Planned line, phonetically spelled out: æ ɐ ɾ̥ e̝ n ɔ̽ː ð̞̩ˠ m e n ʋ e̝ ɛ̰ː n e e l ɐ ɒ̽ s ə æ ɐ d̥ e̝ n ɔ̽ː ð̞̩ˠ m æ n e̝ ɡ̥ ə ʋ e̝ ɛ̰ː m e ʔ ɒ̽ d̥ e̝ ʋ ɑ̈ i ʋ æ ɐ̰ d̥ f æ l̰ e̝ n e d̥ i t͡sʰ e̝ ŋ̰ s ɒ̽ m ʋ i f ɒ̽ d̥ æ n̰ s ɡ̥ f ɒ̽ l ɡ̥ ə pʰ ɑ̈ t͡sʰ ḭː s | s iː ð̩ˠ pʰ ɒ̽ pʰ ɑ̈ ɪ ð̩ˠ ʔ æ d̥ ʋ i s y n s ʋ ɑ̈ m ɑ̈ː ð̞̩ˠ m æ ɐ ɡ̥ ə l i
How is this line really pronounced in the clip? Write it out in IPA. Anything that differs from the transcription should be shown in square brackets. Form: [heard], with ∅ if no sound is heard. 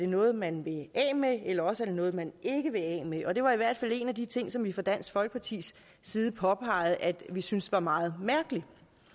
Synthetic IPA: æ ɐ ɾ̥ e̝ n ɔ̽ː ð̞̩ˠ m [æ] n ʋ e̝ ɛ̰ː [m] e e l ɐ ɒ̽ s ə æ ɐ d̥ e̝ n ɔ̽ː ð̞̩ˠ m æ n e̝ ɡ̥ ə ʋ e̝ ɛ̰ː m e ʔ ɒ̽ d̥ e̝ ʋ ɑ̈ i ʋ æ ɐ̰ d̥ f æ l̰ e̝ n [æ] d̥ i t͡sʰ e̝ ŋ̰ s ɒ̽ m ʋ i f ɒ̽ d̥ æ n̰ s ɡ̥ f ɒ̽ l ɡ̥ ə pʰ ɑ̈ t͡sʰ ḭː s | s iː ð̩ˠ pʰ ɒ̽ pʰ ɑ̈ ɪ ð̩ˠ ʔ æ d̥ ʋ i s y n s ʋ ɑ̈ m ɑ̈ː ð̞̩ˠ m æ ɐ ɡ̥ ə l i

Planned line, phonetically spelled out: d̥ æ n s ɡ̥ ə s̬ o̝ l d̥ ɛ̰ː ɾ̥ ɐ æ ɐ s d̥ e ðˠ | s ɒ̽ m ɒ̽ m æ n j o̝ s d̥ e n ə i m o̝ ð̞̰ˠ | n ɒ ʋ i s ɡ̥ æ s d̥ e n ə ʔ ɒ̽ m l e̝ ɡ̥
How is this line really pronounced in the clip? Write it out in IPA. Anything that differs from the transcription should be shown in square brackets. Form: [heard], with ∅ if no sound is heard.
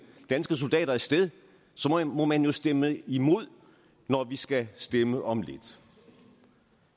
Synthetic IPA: d̥ æ n s ɡ̥ ə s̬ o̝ l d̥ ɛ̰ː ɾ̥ ɐ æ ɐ s d̥ e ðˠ | s ɒ̽ m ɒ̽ m æ n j o̝ s d̥ e [m] ə i m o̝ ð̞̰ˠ | n ɒ ʋ i s ɡ̥ æ s d̥ e [m] ə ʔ ɒ̽ m l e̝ [d̥]

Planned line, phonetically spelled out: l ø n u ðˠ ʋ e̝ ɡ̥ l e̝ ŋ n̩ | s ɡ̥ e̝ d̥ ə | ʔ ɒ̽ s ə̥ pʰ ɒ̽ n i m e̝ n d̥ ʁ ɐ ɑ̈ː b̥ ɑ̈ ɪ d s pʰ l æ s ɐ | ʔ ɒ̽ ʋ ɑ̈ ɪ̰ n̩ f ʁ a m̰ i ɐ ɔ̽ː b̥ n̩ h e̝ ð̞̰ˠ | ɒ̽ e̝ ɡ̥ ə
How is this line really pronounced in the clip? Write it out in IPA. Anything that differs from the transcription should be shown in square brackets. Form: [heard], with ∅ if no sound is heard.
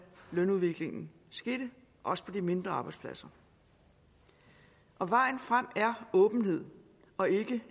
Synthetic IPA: l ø n u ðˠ ʋ e̝ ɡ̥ l e̝ ŋ n̩ | s ɡ̥ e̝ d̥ ə | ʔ ɒ̽ s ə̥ pʰ ɒ̽ [d] i m e̝ n d̥ ʁ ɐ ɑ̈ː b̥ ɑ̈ ɪ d s pʰ l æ s ɐ | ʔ ɒ̽ ʋ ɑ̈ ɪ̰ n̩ f ʁ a m̰ [æ] ɐ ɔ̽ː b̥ n̩ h e̝ ð̞̰ˠ | ɒ̽ e̝ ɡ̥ ə

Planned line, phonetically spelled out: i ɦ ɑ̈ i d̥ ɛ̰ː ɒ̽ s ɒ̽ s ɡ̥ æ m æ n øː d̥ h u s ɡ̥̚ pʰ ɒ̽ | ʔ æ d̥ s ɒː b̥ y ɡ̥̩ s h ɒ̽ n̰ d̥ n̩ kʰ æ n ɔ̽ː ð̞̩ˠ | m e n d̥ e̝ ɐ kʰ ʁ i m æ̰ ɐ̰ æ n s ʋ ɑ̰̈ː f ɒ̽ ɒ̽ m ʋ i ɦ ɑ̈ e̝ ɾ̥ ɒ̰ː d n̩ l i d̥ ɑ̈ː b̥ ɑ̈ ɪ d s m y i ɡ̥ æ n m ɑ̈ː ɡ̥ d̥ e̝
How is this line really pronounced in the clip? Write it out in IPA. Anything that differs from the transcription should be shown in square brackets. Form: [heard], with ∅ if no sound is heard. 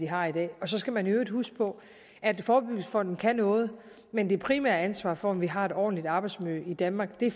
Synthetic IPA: i ɦ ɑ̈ i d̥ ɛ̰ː ɒ̽ s ɒ̽ s ɡ̥ æ m æ n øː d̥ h u s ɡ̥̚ pʰ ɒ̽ | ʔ æ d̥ [f] ɒː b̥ y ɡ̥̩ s [f] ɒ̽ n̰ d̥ n̩ kʰ æ n ɔ̽ː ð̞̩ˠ | m e n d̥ e̝ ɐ [pʰ] ʁ i m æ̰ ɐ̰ æ n s ʋ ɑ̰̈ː f ɒ̽ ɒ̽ m ʋ i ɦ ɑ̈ e̝ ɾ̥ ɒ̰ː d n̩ l i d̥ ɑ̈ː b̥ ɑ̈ ɪ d s m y i [d̥] æ n m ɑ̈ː ɡ̥ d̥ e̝

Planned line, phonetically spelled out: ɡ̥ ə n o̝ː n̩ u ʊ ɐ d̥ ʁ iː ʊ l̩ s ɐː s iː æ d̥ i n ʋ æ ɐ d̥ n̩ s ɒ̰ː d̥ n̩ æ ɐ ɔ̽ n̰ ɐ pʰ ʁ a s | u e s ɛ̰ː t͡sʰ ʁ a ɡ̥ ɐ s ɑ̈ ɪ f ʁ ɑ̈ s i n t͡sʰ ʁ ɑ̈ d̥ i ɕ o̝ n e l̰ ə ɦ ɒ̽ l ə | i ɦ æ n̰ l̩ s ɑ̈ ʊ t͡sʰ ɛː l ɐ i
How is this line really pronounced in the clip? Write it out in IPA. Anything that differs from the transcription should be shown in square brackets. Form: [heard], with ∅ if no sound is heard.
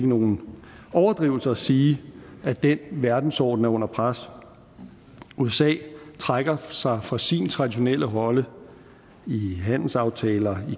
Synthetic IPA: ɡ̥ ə n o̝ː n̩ [ɒ] ʊ ɐ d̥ ʁ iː ʊ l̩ s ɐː s iː æ d̥ [e] n ʋ æ ɐ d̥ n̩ s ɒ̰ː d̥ n̩ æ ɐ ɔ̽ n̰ ɐ pʰ ʁ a s | u e s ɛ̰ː t͡sʰ ʁ a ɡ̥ ɐ s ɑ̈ ɪ f ʁ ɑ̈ s i n t͡sʰ ʁ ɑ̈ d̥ i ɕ o̝ n e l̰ ə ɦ ɒ̽ l ə | i ɦ æ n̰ l̩ s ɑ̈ ʊ t͡sʰ ɛː l ɐ i

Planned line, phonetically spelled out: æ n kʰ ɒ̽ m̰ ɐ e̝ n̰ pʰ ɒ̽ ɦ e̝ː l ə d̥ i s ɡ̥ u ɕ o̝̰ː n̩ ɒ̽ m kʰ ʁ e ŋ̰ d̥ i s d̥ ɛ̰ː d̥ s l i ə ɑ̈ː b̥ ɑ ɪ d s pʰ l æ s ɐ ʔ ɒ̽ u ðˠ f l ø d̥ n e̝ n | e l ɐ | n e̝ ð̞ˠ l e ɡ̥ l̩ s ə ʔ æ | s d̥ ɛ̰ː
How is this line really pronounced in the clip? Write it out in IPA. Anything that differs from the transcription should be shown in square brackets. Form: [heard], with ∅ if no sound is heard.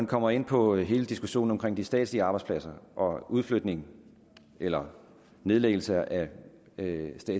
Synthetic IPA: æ n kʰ ɒ̽ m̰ ɐ e̝ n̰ pʰ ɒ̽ ɦ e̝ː l ə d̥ i s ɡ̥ u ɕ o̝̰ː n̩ ɒ̽ m kʰ ʁ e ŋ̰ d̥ i s d̥ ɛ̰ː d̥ s l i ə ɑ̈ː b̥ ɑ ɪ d s pʰ l æ s ɐ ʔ ɒ̽ u ðˠ f l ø d̥ n e̝ [ŋ] | e l ɐ | n e̝ ð̞ˠ l e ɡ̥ l̩ s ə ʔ æ | s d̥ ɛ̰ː

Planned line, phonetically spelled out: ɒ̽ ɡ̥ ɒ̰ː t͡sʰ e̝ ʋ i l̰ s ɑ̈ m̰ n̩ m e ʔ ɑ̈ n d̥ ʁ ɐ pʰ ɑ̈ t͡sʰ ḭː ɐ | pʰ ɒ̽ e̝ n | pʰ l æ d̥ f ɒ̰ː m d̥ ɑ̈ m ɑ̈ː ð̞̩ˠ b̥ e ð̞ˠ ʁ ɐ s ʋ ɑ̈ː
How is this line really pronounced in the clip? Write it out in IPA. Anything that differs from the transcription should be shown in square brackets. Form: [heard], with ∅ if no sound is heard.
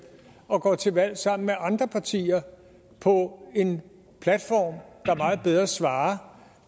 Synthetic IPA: ɒ̽ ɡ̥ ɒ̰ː t͡sʰ e̝ ʋ [æ] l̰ s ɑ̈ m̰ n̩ m e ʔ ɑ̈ n d̥ ʁ ɐ pʰ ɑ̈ t͡sʰ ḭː ɐ | pʰ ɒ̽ e̝ n | pʰ l æ d̥ f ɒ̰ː m d̥ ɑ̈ m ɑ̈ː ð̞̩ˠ b̥ e ð̞ˠ ʁ ɐ s ʋ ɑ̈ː

